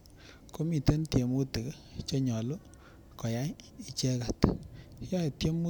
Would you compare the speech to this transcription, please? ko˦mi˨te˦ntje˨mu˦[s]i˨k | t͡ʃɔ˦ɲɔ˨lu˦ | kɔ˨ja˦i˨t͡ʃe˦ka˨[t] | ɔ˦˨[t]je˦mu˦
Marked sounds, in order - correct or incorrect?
incorrect: t, correct, correct

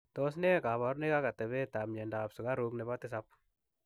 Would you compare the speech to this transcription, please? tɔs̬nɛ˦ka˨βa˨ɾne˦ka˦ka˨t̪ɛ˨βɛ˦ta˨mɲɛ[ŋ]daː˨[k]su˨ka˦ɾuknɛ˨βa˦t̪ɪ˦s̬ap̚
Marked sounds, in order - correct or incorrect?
incorrect: n, incorrect: p

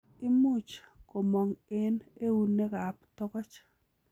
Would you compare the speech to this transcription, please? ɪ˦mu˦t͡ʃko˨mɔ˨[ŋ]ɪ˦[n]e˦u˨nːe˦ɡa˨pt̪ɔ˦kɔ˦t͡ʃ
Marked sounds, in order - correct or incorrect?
correct, correct

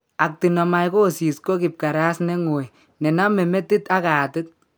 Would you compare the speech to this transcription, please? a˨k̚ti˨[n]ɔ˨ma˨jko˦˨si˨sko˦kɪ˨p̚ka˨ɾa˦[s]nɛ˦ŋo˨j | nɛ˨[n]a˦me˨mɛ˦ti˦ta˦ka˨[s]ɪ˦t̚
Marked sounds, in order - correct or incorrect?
correct, correct, correct, incorrect: t

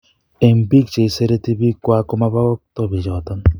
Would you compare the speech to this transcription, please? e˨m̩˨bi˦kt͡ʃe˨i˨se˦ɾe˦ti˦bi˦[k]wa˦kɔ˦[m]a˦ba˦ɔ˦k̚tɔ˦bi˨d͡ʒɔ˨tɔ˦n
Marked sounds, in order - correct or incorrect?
correct, correct

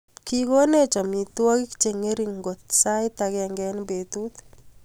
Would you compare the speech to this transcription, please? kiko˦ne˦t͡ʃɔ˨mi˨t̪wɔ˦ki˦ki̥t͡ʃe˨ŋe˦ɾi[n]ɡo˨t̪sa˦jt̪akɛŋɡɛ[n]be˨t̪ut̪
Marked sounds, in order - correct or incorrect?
incorrect: ŋ, correct

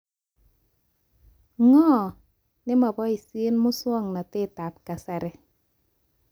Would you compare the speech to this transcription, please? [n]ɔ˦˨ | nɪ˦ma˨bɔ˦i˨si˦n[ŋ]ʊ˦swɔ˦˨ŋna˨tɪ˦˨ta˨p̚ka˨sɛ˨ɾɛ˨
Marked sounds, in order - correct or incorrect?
incorrect: ŋ, incorrect: m

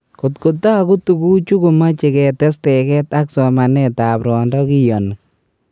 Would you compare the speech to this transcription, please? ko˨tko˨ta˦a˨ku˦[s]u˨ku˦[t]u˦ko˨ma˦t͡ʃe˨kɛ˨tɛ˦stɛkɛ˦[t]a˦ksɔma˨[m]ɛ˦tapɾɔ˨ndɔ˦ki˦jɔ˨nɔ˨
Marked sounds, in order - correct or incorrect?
incorrect: t, incorrect: t͡ʃ, correct, incorrect: n

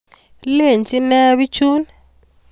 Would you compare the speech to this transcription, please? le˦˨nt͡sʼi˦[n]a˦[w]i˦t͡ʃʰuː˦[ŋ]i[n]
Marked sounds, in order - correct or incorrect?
correct, incorrect: β, incorrect: n, incorrect: none

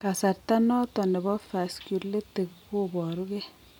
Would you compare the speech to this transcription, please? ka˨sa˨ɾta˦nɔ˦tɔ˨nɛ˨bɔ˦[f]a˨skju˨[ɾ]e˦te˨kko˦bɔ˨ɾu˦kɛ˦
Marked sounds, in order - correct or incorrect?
correct, incorrect: l

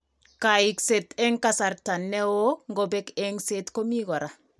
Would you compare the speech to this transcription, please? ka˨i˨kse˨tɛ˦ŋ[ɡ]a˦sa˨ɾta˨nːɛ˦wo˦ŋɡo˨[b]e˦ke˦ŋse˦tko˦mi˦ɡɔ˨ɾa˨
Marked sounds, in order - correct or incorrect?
incorrect: k, correct

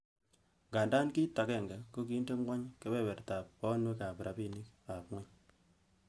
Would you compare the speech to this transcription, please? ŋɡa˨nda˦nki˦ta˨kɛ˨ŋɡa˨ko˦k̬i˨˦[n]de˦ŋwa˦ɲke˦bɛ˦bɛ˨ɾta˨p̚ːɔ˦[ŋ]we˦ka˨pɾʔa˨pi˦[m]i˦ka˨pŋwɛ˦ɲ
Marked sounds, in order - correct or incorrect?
correct, incorrect: n, incorrect: n

